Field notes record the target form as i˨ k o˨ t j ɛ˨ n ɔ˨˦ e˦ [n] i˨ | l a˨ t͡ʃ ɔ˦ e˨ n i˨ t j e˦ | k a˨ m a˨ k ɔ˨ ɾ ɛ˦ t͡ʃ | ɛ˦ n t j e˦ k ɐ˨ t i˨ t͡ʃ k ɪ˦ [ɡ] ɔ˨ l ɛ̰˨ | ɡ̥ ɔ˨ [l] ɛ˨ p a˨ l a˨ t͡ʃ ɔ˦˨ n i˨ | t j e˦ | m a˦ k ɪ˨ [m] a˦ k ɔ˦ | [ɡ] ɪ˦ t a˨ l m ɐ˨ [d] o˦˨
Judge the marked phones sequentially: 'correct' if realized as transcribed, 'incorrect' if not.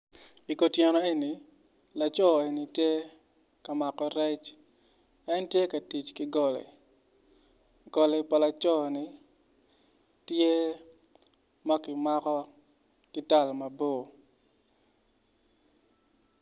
correct, correct, correct, correct, incorrect: k, incorrect: b

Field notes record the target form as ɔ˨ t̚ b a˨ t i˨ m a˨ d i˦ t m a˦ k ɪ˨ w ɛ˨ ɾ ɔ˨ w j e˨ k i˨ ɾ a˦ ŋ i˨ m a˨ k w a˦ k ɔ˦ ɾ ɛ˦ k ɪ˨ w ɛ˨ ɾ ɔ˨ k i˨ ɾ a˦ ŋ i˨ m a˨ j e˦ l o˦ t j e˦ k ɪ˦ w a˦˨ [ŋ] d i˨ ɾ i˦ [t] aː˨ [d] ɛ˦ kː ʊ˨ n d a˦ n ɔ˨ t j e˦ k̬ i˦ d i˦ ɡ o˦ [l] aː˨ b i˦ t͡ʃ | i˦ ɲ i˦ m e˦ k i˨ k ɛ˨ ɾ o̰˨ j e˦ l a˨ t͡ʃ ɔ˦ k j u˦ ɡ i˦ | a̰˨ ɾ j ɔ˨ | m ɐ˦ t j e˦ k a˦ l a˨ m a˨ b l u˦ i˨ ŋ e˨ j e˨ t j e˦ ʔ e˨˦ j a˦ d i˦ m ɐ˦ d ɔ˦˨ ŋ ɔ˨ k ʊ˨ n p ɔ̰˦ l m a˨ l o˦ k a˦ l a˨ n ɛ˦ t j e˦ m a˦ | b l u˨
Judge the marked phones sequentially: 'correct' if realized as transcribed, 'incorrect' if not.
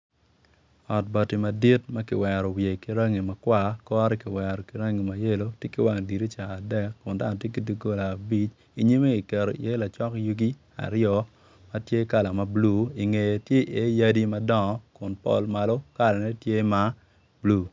correct, incorrect: t͡ʃ, correct, correct

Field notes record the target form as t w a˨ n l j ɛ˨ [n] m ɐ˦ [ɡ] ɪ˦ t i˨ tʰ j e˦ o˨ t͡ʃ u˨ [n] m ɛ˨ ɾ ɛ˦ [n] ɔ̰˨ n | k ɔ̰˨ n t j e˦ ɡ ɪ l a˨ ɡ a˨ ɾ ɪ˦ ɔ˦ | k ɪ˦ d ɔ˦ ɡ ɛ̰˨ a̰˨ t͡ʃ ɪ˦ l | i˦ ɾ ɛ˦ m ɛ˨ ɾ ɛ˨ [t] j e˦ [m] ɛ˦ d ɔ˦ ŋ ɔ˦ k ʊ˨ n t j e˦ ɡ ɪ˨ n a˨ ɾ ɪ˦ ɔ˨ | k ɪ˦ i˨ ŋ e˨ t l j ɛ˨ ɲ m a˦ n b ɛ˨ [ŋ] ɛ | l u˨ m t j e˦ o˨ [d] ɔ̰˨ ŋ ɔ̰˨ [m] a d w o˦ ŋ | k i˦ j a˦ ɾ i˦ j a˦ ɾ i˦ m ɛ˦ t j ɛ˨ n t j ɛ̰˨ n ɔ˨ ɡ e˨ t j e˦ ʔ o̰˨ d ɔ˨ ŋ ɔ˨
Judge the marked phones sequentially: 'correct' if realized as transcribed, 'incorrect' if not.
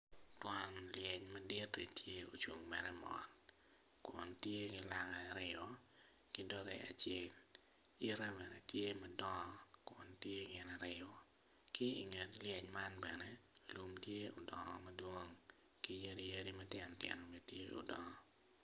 incorrect: ɲ, incorrect: d, incorrect: ŋ, incorrect: m, correct, correct, incorrect: n, correct, correct

